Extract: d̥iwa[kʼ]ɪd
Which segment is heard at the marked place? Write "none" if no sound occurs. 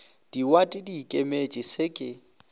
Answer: tʼ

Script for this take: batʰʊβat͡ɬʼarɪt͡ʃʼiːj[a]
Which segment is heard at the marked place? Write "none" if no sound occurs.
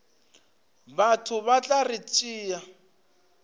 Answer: a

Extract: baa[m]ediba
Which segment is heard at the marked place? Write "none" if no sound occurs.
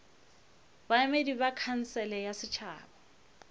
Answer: m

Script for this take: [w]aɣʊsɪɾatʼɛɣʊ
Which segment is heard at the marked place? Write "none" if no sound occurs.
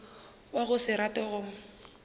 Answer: w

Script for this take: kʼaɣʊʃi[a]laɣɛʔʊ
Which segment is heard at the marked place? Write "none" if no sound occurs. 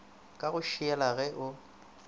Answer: ɛ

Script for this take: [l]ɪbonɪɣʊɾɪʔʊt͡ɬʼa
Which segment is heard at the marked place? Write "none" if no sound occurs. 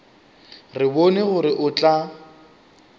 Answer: r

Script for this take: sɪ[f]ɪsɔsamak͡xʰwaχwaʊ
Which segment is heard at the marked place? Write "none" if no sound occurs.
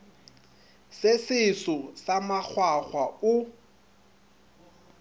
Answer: s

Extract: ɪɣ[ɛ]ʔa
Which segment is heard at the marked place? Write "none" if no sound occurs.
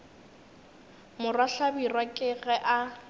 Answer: ɛ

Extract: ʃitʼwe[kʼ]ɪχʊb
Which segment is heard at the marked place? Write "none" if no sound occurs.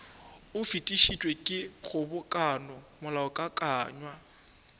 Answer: kʼ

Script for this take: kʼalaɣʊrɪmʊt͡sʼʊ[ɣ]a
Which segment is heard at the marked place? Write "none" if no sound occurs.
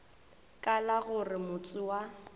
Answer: w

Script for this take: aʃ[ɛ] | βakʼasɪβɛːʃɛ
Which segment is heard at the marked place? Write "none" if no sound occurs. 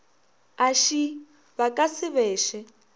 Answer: i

